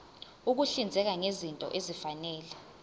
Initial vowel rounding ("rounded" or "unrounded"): rounded